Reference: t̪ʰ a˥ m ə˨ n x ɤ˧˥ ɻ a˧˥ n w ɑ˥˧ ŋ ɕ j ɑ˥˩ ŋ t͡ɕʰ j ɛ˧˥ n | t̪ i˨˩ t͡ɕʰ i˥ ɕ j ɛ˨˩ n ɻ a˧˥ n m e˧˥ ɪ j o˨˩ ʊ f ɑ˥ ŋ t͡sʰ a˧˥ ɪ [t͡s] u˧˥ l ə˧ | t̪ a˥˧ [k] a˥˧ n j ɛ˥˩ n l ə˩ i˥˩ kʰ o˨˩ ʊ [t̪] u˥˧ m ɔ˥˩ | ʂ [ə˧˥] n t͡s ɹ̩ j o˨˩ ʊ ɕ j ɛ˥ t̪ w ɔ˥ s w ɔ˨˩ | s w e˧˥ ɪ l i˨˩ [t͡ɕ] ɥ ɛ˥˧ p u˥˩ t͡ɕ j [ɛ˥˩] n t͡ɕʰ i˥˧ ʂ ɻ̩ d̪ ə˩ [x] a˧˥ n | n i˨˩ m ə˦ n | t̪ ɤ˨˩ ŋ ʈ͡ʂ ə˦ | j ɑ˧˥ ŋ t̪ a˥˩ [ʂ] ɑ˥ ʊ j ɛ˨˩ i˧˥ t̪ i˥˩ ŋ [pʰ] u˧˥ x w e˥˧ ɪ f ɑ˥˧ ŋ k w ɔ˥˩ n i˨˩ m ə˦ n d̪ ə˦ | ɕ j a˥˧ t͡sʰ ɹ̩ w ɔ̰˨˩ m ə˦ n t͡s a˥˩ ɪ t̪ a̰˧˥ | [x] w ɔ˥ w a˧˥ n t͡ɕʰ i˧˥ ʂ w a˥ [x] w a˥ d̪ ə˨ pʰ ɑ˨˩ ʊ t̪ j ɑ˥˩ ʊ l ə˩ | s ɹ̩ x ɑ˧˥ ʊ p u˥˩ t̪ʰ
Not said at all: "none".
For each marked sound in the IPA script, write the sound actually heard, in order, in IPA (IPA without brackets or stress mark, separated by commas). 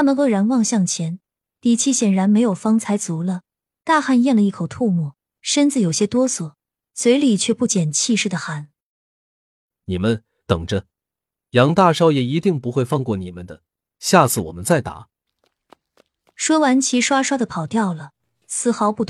t͡s, x, t̪ʰ, ə˥, t͡ɕʰ, ɛ˨˩, x, ʂ, p, ʂ, ʂ